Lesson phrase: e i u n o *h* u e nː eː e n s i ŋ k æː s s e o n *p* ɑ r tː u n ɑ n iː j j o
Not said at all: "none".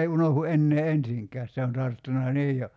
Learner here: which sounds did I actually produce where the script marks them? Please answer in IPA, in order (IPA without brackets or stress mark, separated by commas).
h, t